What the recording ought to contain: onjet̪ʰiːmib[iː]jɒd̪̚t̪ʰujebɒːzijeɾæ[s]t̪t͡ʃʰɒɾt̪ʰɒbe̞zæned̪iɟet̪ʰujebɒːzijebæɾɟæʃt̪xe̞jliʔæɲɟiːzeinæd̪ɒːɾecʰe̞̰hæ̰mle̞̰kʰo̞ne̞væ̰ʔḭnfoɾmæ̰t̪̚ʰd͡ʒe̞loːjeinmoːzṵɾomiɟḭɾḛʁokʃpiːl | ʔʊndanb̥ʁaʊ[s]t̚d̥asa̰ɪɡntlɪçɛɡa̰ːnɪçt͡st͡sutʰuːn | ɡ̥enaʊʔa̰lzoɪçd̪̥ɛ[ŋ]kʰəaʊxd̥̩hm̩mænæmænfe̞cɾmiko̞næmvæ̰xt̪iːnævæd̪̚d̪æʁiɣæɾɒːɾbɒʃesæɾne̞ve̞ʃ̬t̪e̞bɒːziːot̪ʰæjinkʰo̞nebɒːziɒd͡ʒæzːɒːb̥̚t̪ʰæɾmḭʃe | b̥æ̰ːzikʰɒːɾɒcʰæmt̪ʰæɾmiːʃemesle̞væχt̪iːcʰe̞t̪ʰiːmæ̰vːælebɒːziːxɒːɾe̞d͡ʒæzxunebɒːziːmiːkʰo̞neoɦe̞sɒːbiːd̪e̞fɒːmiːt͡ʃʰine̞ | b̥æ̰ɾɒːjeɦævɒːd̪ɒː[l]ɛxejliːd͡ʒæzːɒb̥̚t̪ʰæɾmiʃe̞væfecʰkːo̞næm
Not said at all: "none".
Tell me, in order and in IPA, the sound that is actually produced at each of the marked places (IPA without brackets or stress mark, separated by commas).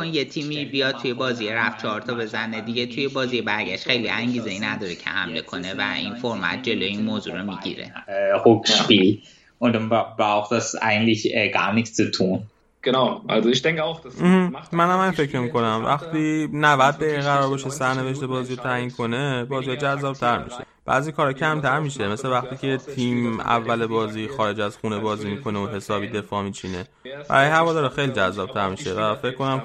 i, f, x, ŋ, ɾ